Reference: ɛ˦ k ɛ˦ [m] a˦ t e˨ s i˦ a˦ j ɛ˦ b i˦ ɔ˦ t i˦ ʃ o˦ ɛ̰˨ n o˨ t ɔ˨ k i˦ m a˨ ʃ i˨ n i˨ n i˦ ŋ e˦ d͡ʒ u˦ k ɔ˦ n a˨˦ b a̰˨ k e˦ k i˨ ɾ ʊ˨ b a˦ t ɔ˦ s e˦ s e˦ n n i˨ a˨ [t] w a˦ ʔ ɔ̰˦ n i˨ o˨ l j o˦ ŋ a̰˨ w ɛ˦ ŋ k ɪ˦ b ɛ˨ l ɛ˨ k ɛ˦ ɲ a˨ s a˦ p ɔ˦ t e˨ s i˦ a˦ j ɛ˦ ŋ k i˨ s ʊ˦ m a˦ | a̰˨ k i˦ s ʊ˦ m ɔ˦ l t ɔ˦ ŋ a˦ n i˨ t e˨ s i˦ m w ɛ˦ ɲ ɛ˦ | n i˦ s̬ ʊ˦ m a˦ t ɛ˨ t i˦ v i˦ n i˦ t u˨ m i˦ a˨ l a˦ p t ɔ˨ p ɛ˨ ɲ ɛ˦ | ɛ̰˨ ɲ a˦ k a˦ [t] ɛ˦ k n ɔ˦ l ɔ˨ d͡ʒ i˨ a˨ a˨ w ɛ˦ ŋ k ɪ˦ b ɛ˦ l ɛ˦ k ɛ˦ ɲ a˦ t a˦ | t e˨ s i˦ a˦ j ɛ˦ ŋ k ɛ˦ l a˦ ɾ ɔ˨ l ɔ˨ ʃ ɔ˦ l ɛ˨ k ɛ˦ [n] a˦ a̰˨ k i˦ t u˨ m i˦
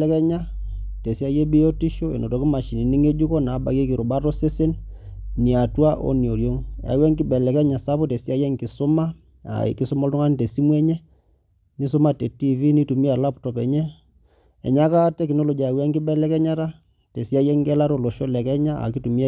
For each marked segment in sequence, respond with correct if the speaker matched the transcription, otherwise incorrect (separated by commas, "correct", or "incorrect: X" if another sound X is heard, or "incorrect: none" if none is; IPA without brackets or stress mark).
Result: incorrect: ɲ, correct, correct, incorrect: ɲ